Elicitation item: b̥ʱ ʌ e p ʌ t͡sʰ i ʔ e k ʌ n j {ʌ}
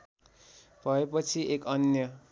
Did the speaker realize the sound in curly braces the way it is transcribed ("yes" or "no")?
yes